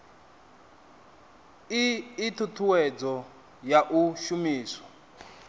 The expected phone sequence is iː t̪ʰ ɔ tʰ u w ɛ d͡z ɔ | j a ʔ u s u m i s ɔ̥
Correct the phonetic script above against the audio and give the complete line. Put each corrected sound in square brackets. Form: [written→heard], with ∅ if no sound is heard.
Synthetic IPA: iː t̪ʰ [ɔ→u] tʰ u w ɛ d͡z ɔ | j a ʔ u [s→ʃ] u m [i→iː] s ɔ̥